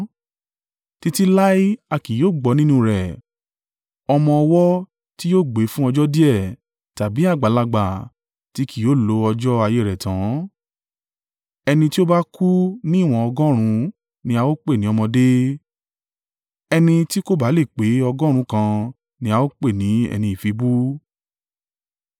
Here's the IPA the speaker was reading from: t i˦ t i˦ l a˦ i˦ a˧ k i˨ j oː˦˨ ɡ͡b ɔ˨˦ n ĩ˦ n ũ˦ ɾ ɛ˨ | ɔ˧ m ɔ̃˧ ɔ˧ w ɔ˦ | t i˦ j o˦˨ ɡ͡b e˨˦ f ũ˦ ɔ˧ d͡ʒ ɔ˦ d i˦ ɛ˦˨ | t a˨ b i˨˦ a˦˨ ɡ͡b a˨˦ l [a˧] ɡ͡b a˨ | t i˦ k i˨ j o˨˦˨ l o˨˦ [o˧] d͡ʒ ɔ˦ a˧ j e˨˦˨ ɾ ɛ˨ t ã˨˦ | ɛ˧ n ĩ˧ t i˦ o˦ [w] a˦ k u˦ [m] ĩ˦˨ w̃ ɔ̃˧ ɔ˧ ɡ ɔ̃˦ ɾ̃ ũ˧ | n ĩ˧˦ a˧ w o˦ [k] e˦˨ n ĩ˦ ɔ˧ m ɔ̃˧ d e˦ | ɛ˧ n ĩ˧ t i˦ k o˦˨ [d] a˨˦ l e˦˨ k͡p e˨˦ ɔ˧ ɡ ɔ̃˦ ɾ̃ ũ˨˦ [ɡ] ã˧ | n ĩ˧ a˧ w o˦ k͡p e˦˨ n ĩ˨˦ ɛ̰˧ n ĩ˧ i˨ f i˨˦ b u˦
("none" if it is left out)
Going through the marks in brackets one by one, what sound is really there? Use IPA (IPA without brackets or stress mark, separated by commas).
a˧, ɔ˧, b, n, k͡p, b, k